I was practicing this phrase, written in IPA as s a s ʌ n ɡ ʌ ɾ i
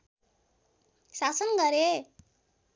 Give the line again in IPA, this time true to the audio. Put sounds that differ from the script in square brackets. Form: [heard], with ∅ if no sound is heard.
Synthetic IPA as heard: s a s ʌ n ɡ ʌ ɾ [e]